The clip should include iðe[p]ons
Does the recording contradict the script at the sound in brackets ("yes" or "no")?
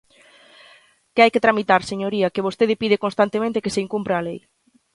yes